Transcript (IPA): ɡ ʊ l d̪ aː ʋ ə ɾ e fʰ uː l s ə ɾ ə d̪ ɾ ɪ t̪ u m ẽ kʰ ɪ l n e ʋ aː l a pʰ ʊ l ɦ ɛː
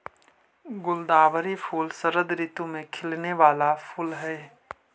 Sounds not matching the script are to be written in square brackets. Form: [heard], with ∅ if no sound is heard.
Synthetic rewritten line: ɡ ʊ l d̪ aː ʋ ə ɾ [i] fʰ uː l s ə ɾ ə d̪ ɾ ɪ t̪ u m ẽ kʰ ɪ l n e ʋ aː l a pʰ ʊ l ɦ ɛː

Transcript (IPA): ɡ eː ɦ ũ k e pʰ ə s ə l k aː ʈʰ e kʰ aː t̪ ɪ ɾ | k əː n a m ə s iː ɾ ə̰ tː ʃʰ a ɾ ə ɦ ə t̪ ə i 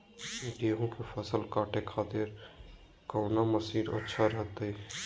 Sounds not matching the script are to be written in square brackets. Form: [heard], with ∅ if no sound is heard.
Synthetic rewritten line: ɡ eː ɦ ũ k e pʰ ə s ə l k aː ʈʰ e kʰ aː t̪ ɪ ɾ | k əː n a m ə s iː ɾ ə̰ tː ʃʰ a ɾ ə ɦ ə t̪ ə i

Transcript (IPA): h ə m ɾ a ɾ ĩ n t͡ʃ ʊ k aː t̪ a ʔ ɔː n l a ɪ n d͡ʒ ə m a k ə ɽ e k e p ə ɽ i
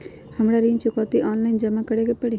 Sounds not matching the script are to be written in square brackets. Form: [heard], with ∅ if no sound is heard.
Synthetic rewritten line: h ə m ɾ a ɾ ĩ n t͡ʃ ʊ k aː t̪ [i] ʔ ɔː n l a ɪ n d͡ʒ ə m a k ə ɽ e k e p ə ɽ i

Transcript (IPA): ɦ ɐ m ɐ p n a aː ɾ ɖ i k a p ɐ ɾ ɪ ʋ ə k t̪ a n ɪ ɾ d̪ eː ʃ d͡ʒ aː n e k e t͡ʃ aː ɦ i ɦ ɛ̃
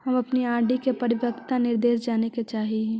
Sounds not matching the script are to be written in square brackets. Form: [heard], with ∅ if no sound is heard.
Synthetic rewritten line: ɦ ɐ m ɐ p n [i] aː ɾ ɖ i k [e] p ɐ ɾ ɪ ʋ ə k t̪ a n ɪ ɾ d̪ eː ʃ d͡ʒ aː n e k e t͡ʃ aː ɦ i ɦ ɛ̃

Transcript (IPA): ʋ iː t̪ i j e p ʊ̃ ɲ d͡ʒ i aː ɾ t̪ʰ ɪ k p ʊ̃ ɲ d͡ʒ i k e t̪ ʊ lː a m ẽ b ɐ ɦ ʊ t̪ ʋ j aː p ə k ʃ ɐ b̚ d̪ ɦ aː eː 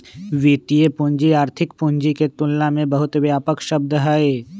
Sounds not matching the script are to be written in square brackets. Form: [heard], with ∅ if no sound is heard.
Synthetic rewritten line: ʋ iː t̪ i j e p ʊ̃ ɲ d͡ʒ i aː ɾ t̪ʰ ɪ k p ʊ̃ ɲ d͡ʒ i k e t̪ ʊ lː a m ẽ b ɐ ɦ ʊ t̪ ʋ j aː p ə k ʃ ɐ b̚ d̪ ɦ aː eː

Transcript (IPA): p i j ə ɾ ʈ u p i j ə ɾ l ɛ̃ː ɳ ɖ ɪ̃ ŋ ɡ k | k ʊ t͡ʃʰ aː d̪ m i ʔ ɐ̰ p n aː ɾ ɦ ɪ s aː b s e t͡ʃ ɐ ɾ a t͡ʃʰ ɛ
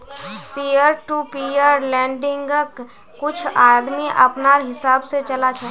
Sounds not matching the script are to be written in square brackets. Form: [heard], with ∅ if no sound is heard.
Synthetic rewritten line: p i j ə ɾ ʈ u p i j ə ɾ l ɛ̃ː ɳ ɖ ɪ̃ ŋ ɡ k | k ʊ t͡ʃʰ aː d̪ m i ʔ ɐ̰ p n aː ɾ ɦ ɪ s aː b s e t͡ʃ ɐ [l] a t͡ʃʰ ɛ

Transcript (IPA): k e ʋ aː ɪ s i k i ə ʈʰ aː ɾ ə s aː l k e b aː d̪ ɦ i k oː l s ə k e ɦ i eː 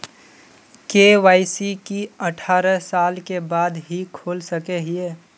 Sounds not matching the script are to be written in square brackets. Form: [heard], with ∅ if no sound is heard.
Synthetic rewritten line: k e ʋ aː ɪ s i k i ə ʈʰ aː ɾ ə s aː l k e b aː d̪ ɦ i [kʰ] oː l s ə k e ɦ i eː

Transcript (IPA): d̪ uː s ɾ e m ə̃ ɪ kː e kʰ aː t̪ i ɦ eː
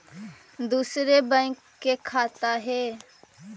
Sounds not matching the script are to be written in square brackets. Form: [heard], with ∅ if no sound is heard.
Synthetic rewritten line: d̪ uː s ɾ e [b] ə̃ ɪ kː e kʰ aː t̪ [a] ɦ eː

